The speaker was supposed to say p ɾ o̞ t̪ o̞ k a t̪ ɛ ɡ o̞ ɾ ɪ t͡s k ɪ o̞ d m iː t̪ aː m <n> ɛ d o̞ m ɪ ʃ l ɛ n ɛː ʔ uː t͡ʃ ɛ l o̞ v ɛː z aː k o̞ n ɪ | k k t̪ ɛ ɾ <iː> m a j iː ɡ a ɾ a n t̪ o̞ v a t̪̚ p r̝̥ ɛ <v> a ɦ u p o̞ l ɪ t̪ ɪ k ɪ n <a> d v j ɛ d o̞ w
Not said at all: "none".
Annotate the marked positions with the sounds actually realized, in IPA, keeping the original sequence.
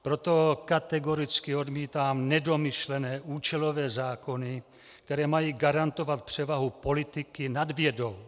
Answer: n, ɛː, v, a

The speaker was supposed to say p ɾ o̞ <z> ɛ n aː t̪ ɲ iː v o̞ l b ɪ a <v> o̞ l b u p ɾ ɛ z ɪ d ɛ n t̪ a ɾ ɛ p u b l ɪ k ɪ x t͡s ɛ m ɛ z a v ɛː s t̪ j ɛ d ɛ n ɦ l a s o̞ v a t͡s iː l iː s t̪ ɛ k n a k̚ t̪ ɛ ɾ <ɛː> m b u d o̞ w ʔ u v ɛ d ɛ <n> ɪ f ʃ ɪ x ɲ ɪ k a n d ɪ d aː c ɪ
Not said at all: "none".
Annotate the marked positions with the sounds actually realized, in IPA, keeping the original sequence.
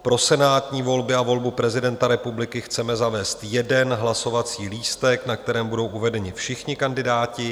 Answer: s, v, ɛː, ɲ

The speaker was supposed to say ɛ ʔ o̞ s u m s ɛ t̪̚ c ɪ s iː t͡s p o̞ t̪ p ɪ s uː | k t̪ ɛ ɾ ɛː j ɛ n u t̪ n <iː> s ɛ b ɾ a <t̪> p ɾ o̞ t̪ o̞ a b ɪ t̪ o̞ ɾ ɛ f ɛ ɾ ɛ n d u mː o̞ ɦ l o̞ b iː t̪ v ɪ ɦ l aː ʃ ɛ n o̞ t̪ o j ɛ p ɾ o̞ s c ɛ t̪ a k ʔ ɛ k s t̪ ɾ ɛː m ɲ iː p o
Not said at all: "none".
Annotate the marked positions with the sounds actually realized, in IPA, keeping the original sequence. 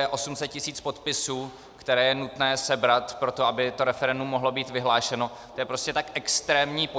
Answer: ɛː, t̪

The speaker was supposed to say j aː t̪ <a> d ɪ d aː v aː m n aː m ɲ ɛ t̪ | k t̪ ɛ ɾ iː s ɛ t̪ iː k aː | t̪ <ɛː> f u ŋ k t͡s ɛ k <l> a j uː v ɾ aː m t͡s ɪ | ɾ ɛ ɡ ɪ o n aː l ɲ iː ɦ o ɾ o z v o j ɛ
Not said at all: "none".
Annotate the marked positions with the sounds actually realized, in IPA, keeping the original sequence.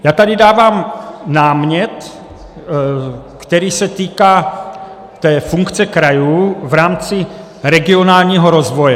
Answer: a, ɛː, ɾ

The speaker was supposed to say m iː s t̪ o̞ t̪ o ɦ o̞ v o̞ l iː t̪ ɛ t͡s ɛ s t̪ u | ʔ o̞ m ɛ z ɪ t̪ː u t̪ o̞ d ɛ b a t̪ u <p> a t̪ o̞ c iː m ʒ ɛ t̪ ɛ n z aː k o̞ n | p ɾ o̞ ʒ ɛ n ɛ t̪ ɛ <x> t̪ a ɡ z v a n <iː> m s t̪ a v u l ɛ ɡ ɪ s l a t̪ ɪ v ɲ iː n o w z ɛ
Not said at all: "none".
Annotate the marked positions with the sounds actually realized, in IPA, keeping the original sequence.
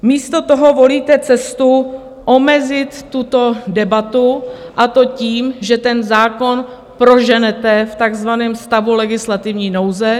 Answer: ʔ, f, ɛː

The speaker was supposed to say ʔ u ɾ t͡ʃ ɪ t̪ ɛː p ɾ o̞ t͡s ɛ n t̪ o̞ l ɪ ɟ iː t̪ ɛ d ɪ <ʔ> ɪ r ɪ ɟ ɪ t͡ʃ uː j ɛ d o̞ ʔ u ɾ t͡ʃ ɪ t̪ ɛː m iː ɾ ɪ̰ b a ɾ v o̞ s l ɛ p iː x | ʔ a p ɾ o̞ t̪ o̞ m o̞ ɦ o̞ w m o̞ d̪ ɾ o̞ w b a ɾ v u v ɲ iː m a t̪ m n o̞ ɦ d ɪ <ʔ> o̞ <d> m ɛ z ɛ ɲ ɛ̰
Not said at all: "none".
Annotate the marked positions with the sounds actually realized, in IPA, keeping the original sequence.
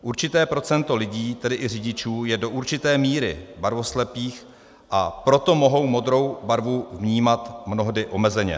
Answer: ʔ, ʔ, none

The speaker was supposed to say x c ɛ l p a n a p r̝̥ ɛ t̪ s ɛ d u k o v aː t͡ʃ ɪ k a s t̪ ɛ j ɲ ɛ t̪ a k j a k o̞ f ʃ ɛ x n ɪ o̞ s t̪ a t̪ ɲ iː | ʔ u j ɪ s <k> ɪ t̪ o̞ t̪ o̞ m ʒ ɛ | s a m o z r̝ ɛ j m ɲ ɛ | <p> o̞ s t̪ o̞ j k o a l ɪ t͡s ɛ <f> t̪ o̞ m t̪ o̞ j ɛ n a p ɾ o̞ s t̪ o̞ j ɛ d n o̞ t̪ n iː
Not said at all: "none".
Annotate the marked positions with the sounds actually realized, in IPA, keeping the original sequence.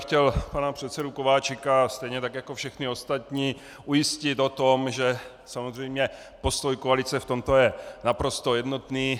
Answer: c, p, f

